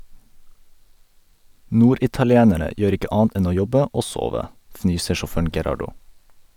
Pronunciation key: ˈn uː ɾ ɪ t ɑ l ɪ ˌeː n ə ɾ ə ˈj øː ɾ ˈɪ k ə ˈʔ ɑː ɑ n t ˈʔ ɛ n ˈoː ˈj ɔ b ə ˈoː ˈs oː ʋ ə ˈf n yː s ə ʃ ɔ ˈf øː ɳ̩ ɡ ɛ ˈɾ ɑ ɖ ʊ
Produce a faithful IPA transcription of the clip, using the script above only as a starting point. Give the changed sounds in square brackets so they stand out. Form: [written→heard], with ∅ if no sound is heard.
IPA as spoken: ˈn uː ɾ ɪ t ɑ l ɪ ˌeː n ə ɾ ə ˈj øː ɾ ˈɪ k ə ˈʔ ɑː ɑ n t ˈʔ ɛ n ˈoː ˈj ɔ b ə ˈoː ˈs oː ʋ ə ˈf n yː s ə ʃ ɔ ˈf øː ɳ̩ ɡ ɛ ˈɾ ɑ ɖ ʊ